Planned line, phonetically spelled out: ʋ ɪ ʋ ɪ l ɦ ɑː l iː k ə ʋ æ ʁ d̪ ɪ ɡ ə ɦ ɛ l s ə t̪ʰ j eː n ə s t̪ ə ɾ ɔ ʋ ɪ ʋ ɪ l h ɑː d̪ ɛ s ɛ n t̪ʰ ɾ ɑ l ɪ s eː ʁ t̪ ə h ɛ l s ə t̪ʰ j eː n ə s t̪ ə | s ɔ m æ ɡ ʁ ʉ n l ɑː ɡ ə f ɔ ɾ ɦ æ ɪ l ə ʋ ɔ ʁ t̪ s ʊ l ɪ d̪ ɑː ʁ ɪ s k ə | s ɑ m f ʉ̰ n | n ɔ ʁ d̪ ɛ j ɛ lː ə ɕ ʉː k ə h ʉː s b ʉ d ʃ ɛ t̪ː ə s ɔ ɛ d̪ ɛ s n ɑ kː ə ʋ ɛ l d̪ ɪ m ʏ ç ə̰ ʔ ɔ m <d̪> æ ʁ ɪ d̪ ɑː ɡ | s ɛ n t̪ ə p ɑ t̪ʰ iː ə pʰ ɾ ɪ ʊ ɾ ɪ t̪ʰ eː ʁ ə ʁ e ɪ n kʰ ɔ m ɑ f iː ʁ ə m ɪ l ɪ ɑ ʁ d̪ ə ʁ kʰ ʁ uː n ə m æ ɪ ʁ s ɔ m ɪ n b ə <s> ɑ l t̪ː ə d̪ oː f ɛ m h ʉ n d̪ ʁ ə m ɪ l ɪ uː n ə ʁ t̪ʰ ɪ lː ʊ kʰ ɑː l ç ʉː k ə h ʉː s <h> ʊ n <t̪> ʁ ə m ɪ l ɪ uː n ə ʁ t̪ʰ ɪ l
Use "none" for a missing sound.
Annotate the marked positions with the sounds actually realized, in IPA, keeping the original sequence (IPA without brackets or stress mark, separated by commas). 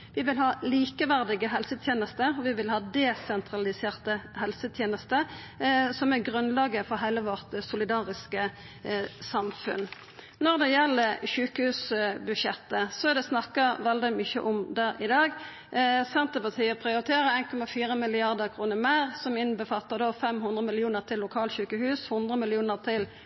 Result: d̪, f, h, d̪